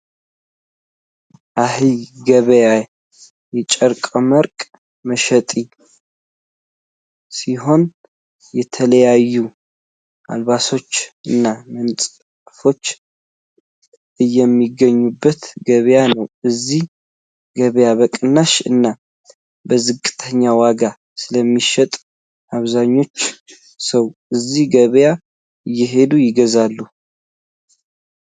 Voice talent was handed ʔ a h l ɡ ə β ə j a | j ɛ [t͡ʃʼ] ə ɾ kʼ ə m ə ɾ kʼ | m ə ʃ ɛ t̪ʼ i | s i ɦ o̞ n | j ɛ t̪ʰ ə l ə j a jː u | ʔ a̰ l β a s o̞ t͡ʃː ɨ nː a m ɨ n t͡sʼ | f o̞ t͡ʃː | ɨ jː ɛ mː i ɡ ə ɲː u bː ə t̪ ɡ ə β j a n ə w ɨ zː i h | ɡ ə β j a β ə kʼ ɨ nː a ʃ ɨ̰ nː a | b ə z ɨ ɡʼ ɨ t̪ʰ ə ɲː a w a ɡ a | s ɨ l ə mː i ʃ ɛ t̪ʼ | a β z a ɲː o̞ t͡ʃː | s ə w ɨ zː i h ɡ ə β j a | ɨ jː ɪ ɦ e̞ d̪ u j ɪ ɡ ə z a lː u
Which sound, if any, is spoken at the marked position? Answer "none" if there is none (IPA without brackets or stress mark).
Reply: t͡ʃʼ